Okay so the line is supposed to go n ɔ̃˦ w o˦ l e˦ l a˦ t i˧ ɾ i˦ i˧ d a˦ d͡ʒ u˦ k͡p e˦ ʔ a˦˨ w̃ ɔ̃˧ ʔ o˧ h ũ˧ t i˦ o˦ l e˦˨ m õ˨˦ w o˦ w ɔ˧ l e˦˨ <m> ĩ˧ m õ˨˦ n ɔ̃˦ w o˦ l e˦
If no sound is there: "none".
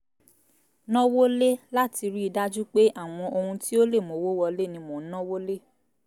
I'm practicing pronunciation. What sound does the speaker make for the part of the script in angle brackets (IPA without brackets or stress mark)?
n